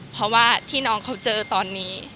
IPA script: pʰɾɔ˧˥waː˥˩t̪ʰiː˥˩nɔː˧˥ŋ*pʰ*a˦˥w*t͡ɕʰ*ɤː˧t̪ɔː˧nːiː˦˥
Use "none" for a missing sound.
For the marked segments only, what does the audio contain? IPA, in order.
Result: kʰ, t͡ɕ

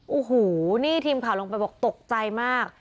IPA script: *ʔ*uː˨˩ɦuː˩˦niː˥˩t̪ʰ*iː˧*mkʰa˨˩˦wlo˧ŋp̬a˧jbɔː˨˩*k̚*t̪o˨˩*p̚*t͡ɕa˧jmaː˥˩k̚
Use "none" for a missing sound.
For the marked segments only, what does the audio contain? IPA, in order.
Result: ʔ, iː˧, k̚, k̚

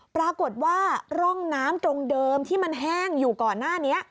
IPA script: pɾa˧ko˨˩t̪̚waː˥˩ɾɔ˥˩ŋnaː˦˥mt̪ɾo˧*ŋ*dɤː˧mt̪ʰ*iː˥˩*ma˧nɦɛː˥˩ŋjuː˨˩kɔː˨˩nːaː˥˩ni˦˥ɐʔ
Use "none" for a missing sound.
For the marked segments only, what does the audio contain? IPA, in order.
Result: ŋ, iː˥˩

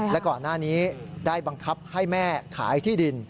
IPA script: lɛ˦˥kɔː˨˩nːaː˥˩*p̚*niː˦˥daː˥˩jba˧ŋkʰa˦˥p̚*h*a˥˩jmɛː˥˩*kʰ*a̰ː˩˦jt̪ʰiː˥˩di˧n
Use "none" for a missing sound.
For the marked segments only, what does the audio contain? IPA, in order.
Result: none, h, kʰ

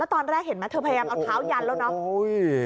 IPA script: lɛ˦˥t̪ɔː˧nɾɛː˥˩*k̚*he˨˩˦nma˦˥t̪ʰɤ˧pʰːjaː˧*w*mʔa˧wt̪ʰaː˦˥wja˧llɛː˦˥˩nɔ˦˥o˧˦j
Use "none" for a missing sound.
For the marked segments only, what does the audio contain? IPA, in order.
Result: k̚, none

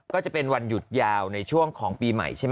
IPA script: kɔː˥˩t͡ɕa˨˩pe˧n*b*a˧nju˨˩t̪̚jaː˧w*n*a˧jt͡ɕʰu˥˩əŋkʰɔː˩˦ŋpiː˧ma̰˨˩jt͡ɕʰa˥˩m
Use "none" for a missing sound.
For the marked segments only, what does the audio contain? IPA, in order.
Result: w, n

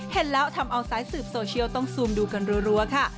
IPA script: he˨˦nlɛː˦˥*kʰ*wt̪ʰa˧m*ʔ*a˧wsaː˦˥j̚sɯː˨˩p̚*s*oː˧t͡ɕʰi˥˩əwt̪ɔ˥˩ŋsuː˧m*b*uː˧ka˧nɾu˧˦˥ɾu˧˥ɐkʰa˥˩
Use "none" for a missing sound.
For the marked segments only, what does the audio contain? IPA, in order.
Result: none, ʔ, s, d

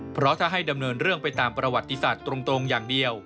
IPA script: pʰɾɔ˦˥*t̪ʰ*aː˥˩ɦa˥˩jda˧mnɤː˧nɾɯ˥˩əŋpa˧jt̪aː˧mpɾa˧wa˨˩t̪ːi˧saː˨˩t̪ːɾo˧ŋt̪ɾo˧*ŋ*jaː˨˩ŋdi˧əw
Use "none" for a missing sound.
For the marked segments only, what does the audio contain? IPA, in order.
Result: t̪ʰ, ŋ

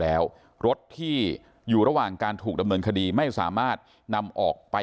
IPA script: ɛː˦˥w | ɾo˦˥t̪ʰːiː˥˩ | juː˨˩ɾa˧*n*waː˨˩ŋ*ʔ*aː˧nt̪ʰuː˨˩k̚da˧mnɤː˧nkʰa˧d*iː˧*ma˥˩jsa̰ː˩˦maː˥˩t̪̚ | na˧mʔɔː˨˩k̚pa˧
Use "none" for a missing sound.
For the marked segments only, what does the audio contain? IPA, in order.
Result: none, k, iː˧

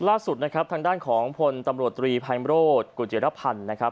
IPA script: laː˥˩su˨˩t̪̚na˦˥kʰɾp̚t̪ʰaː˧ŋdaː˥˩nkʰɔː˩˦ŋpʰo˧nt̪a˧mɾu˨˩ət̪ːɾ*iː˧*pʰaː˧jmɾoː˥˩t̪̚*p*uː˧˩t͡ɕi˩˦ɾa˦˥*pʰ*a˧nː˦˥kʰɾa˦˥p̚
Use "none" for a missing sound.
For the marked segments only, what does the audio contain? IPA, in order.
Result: iː˧, k, pʰ

